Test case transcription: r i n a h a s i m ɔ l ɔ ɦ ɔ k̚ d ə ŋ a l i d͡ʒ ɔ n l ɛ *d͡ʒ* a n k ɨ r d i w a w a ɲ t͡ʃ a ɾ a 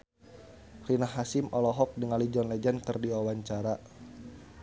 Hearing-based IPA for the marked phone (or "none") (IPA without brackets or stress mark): d͡ʒ